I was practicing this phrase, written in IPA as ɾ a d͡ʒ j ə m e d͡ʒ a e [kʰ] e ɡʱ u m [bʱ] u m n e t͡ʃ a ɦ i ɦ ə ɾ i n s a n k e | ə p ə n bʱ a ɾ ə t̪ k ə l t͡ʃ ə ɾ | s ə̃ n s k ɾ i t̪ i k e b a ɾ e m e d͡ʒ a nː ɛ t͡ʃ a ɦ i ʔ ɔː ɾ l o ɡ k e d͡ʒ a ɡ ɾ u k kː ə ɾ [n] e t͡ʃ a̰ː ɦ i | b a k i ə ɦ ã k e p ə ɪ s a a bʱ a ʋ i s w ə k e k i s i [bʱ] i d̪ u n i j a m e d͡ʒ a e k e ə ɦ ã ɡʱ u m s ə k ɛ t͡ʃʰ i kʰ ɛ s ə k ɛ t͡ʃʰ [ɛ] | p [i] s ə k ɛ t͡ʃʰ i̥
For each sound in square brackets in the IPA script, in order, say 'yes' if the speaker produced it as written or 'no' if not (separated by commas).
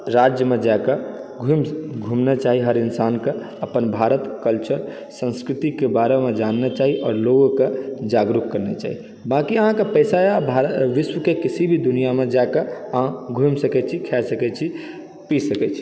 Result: no, no, yes, yes, no, yes